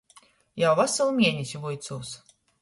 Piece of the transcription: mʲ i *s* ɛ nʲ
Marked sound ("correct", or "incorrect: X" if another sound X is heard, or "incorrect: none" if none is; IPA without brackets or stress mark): incorrect: none